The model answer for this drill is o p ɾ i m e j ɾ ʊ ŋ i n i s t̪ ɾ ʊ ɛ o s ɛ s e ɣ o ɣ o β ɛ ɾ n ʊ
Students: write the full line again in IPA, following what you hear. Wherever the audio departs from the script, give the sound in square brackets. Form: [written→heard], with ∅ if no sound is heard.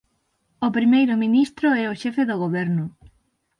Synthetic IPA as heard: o p ɾ i m e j ɾ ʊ [ŋ→m] i n i s t̪ ɾ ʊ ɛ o [s→ʃ] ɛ [s→f] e [ɣ→ð] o ɣ o β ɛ ɾ n ʊ